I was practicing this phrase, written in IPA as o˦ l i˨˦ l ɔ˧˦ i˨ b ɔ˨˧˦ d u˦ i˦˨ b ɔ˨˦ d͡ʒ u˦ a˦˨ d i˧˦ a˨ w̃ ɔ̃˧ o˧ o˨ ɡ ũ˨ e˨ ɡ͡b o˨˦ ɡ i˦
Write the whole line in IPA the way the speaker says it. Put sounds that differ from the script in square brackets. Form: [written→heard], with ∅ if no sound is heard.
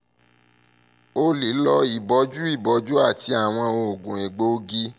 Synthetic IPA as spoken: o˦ l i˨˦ l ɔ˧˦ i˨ b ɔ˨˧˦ [d→d͡ʒ] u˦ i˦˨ b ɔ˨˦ d͡ʒ u˦ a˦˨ [d→t] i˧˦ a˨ w̃ ɔ̃˧ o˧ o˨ ɡ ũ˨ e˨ ɡ͡b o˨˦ ɡ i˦